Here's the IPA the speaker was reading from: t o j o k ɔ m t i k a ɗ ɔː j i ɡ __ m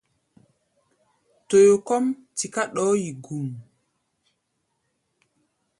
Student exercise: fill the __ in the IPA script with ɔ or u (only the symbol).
u